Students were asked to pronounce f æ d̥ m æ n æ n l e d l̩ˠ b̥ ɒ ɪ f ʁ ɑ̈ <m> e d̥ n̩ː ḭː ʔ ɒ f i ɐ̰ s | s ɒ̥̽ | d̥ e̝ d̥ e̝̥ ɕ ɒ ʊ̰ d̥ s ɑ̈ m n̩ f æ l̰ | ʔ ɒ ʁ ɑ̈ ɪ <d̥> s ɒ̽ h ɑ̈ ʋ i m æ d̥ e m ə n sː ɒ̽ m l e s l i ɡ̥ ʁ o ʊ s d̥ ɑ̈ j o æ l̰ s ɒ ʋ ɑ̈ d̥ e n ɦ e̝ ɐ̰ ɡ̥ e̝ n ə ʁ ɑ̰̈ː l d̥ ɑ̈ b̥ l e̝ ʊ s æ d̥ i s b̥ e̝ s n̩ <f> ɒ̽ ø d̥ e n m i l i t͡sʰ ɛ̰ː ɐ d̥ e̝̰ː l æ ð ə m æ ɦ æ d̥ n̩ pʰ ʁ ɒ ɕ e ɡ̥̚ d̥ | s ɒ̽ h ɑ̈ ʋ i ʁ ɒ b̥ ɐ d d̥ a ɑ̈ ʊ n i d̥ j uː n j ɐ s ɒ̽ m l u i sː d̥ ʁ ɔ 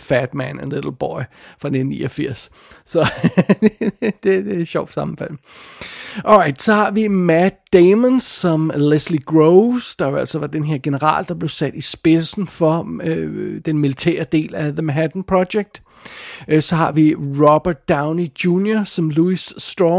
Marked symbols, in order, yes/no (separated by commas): no, yes, yes